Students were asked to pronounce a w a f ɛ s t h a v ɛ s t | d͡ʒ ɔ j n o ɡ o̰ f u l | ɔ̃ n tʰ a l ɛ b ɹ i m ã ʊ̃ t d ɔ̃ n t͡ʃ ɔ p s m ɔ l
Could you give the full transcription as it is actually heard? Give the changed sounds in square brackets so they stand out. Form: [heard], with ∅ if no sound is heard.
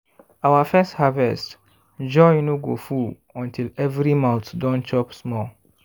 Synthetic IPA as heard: a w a f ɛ s t h a v ɛ s t | d͡ʒ ɔ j n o ɡ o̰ f u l | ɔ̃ n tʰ [i] l ɛ [v] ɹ i m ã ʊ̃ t d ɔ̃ n t͡ʃ ɔ p s m ɔ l